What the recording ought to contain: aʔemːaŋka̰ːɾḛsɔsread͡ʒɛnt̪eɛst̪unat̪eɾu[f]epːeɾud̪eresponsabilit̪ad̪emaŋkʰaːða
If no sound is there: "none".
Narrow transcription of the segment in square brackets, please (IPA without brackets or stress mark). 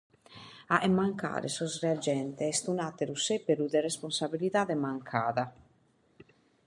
s